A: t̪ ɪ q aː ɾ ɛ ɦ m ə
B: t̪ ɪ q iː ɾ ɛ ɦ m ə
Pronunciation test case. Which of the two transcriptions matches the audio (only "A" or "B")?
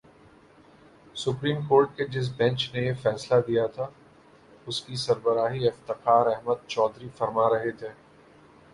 A